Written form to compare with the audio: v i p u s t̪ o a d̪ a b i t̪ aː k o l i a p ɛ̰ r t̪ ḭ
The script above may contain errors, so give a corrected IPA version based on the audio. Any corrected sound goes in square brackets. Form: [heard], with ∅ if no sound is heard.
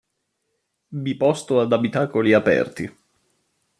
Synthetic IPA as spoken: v i p [ɔ] s t̪ o a d̪ a b i t̪ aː k o l i a p ɛ̰ r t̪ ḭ